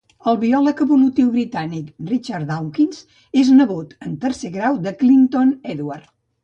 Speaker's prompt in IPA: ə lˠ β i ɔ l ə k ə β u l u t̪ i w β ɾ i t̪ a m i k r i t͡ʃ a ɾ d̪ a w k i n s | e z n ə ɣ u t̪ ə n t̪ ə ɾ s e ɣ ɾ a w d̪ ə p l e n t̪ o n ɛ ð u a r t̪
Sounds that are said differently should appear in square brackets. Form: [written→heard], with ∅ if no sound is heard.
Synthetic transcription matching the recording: ə lˠ β i ɔ l ə k ə β u l u t̪ i w β ɾ i t̪ a [m→n] i k r i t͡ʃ a ɾ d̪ a w k i n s | e z n ə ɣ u t̪ ə n t̪ ə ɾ s e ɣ ɾ a w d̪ ə [p→k] l [e→i] n t̪ o n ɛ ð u a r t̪